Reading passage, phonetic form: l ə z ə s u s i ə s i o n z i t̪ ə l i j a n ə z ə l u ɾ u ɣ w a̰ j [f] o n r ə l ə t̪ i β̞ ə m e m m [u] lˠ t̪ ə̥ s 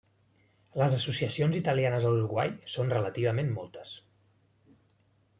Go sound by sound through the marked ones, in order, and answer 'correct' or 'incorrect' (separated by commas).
incorrect, incorrect